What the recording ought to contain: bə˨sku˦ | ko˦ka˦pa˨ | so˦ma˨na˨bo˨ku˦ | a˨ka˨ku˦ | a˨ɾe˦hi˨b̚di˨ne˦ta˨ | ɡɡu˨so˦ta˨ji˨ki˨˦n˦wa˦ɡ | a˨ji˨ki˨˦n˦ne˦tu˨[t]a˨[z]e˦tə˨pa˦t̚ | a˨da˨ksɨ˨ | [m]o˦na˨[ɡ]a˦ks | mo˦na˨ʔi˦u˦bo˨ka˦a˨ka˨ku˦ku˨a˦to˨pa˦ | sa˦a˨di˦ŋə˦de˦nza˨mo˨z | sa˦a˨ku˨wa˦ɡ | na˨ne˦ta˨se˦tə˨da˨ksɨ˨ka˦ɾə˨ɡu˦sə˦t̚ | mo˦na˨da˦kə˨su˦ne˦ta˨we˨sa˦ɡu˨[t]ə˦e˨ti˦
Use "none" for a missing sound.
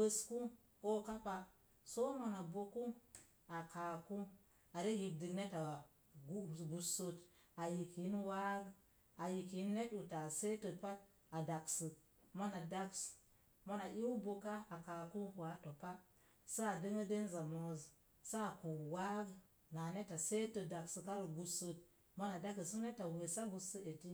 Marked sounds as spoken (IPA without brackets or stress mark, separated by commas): t, s, m, d, s